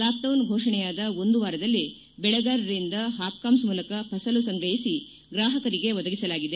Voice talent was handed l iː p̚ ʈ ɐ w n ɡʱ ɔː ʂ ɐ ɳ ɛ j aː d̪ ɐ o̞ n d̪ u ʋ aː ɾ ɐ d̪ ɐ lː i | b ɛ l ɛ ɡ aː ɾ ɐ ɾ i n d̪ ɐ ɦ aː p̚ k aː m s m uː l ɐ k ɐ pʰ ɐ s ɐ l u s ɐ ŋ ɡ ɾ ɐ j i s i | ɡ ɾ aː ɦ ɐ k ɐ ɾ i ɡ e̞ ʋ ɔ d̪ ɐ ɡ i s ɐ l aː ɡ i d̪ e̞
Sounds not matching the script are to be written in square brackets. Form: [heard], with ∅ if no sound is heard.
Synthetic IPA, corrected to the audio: l [aː] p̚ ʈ ɐ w n ɡʱ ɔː ʂ ɐ ɳ ɛ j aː d̪ ɐ o̞ n d̪ u ʋ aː ɾ ɐ d̪ ɐ lː i | b ɛ [ɭ] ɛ ɡ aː ɾ ɐ ɾ i n d̪ ɐ ɦ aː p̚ k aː m s m uː l ɐ k ɐ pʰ ɐ s ɐ l u s ɐ ŋ ɡ ɾ ɐ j i s i | ɡ ɾ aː ɦ ɐ k ɐ ɾ i ɡ e̞ ʋ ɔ d̪ ɐ ɡ i s ɐ l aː ɡ i d̪ e̞